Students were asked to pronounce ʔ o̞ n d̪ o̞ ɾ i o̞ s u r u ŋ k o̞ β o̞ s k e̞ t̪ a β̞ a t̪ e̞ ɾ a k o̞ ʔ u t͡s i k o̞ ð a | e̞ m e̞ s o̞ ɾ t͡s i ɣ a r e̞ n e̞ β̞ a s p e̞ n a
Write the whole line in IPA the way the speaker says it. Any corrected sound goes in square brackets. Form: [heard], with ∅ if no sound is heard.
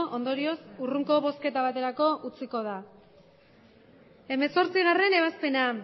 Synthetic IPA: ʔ o̞ n d̪ o̞ ɾ i o̞ s u r u ŋ k o̞ β o̞ s k e̞ t̪ a β̞ a t̪ e̞ ɾ a k o̞ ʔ u t͡s i k o̞ ð a | e̞ m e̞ s o̞ ɾ t͡s i ɣ a r e̞ n e̞ β̞ a s p e̞ n a